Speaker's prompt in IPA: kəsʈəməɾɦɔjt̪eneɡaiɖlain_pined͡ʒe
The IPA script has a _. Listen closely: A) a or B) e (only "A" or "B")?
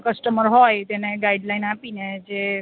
A